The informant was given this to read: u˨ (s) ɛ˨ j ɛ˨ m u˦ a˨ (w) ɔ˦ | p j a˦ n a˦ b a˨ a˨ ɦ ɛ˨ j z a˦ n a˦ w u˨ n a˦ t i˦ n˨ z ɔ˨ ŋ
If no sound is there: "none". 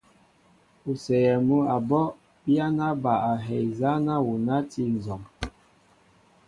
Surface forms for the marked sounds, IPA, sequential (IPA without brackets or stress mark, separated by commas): s, b